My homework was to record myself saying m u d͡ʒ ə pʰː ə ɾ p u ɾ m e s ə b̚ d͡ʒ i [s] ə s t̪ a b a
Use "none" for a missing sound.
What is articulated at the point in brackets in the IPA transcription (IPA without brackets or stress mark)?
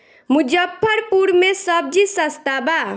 s